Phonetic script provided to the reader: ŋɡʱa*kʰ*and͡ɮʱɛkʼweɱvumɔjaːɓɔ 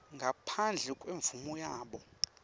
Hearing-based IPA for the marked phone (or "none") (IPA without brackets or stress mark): pʰ